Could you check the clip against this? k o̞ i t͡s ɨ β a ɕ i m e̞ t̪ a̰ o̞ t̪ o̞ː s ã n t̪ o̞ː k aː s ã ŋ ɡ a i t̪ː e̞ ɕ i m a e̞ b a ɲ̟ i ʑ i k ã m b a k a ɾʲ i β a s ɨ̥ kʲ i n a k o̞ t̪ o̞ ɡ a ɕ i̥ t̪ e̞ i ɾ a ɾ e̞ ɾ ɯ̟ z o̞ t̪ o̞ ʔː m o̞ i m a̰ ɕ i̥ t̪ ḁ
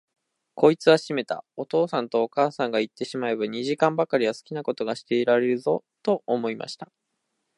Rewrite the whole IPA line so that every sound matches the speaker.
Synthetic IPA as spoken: k o̞ i t͡s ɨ β a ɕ i m e̞ t̪ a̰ o̞ t̪ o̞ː s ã n t̪ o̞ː k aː s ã ŋ ɡ a i t̪ː e̞ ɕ i m a e̞ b a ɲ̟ i ʑ i k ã m b a k a ɾʲ i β a s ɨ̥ kʲ i n a k o̞ t̪ o̞ ɡ a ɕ i̥ t̪ e̞ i ɾ a ɾ e̞ ɾ ɯ̟ z o̞ t̪ o̞ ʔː m o̞ i m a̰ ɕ i̥ t̪ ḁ